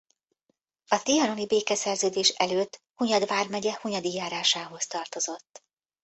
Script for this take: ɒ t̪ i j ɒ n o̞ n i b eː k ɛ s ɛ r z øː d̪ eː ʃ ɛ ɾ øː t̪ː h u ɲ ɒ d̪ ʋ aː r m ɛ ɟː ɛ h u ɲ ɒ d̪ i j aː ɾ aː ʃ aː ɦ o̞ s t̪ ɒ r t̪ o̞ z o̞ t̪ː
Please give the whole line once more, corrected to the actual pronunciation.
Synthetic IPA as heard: ɒ t̪ i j ɒ n o̞ n i b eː k ɛ s ɛ r z øː d̪ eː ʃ ɛ l øː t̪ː h u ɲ ɒ d̪ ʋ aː r m ɛ ɟ ɛ h u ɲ ɒ d̪ i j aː ɾ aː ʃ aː ɦ o̞ s t̪ ɒ r t̪ o̞ z o̞ t̪ː